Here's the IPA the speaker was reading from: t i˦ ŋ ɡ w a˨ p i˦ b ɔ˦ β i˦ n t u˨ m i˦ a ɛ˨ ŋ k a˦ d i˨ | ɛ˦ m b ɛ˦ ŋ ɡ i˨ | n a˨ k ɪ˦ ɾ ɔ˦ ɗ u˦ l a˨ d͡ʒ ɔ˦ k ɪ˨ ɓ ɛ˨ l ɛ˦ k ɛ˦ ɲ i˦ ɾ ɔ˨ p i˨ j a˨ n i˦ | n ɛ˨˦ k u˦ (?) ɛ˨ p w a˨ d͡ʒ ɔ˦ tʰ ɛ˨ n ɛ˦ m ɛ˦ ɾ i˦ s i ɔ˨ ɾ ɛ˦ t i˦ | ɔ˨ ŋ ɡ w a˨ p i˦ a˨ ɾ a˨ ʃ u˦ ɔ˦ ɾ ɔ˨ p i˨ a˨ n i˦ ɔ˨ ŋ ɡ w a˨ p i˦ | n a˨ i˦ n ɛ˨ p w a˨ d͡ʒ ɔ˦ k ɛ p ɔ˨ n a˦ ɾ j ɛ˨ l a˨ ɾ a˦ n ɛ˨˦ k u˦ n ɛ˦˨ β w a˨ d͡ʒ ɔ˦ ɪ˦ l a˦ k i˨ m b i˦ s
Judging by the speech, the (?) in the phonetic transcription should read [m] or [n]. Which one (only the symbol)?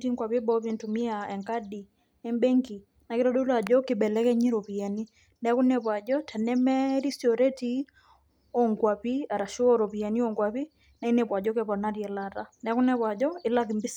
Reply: n